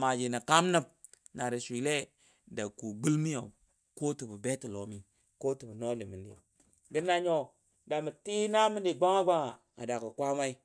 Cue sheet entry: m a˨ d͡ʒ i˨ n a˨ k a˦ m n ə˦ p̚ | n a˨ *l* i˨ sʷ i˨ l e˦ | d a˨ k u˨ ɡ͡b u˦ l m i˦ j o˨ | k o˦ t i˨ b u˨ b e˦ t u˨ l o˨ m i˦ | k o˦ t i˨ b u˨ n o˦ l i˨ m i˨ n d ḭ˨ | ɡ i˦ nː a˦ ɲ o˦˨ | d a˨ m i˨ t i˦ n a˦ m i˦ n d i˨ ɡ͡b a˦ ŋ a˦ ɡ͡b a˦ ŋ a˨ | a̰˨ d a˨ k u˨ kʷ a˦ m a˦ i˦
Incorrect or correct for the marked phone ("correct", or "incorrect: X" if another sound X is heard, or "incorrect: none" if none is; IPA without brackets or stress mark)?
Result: incorrect: ɾ